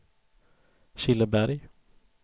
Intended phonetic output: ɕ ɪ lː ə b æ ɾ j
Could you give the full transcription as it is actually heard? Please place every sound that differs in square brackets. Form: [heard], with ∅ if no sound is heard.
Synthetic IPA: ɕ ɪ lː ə b æ ɾ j